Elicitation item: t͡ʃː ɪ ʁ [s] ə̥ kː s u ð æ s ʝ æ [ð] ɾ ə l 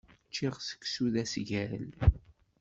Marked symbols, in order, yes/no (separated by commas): yes, no